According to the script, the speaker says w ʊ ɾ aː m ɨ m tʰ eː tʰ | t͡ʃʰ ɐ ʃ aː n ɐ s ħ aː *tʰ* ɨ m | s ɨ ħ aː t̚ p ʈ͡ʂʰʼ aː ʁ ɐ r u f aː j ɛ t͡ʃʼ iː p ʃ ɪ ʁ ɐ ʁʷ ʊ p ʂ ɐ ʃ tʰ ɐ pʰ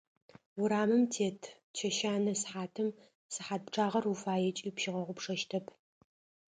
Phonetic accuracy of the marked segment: correct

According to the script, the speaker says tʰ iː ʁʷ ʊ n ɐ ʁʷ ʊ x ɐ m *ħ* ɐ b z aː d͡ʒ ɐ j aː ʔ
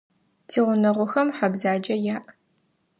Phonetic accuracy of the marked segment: correct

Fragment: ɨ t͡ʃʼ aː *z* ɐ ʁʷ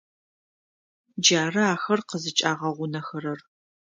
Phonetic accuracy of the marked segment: incorrect: ʁ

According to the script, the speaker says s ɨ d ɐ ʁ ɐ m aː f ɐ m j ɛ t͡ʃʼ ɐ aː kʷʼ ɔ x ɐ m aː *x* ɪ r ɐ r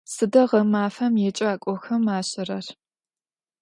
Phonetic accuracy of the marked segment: incorrect: ɕ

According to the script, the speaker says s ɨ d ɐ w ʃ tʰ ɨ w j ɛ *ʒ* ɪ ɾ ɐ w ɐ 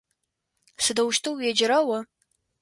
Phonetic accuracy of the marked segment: incorrect: d͡ʒ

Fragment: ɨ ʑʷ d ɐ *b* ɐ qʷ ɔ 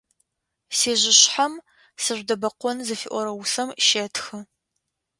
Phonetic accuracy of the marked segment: correct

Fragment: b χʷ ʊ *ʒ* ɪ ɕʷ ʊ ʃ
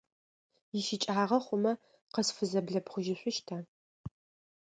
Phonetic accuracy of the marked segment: correct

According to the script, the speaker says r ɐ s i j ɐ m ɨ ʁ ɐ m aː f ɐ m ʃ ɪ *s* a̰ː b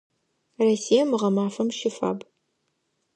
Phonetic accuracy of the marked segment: incorrect: f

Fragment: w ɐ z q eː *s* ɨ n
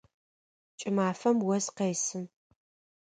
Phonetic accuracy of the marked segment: correct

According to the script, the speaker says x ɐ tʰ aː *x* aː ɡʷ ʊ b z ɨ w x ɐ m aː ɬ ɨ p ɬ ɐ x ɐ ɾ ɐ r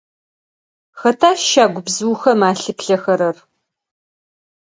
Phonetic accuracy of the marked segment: incorrect: ʃ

